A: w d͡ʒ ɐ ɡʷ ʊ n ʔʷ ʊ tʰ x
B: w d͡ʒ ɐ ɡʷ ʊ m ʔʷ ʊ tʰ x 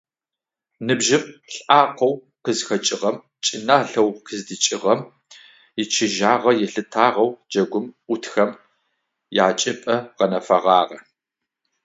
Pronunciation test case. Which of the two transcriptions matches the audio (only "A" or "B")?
B